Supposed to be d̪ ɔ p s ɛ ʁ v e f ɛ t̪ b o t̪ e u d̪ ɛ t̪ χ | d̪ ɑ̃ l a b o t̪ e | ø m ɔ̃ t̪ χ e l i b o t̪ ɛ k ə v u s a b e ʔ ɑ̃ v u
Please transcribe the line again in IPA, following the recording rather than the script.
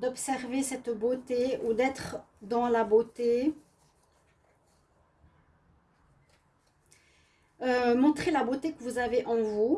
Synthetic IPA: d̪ ɔ p s ɛ ʁ v e s ɛ t̪ b o t̪ e u d̪ ɛ t̪ χ | d̪ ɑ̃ l a b o t̪ e | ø m ɔ̃ t̪ χ e l a b o t̪ e k ə v u z a v e ʔ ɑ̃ v u